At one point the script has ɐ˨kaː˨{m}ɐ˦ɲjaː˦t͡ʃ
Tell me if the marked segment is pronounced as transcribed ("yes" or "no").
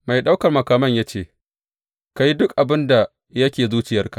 yes